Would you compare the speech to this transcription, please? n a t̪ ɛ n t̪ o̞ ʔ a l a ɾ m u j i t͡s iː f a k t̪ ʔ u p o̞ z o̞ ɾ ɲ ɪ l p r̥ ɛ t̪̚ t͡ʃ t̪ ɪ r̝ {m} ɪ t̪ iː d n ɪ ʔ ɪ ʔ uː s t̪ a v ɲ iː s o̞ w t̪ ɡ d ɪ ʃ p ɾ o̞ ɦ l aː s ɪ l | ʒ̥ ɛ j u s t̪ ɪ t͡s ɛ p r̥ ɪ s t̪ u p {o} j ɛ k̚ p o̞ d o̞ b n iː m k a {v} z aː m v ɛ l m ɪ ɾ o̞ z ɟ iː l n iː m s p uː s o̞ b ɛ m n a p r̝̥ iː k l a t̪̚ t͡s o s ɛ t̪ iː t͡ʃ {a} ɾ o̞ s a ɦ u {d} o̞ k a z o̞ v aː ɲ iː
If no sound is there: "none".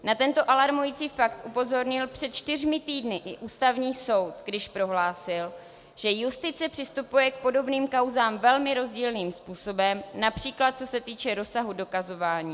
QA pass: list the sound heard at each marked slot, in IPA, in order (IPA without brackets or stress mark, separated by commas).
m, u, w, ɛ, d